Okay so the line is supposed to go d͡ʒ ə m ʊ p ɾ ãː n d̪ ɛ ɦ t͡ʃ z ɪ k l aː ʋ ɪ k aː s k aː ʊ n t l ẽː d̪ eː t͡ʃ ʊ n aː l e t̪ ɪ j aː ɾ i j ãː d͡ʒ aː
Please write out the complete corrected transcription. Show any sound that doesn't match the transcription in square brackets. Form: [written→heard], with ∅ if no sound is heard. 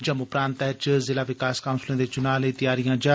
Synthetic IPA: d͡ʒ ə m ʊ p ɾ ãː n [d̪→t̪] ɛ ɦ t͡ʃ z ɪ [k→∅] l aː ʋ ɪ k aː s k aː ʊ n [t→s] l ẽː d̪ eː t͡ʃ ʊ n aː l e t̪ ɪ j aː ɾ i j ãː d͡ʒ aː